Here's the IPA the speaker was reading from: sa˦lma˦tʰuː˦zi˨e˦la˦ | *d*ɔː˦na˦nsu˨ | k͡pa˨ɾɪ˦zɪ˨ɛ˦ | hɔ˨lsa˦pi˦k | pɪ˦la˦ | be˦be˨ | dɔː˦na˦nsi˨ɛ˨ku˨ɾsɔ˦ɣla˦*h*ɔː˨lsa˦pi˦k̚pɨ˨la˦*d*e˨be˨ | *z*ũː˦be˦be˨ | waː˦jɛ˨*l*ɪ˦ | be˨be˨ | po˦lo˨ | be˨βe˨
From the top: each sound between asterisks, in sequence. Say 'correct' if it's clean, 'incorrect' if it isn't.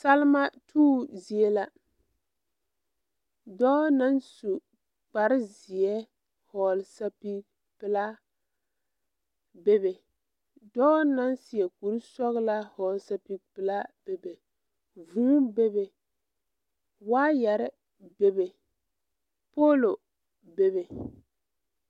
correct, correct, incorrect: b, incorrect: v, incorrect: ɾ

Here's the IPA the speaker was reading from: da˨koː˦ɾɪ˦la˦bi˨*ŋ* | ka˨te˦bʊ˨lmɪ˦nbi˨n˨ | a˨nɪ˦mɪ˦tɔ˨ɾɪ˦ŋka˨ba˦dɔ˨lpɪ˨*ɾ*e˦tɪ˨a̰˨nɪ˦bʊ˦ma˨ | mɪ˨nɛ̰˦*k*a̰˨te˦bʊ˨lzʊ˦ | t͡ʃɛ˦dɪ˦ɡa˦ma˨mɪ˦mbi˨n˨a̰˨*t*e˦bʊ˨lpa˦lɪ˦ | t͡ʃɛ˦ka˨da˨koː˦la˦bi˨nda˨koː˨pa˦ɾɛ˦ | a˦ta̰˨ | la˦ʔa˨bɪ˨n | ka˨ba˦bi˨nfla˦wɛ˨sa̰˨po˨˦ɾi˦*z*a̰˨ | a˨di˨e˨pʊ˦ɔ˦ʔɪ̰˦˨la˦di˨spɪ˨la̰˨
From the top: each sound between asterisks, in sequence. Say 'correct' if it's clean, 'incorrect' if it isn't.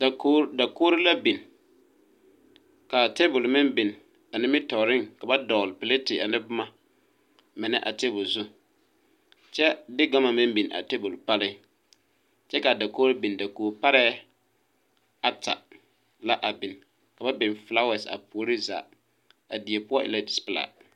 incorrect: n, incorrect: l, incorrect: ʔ, correct, correct

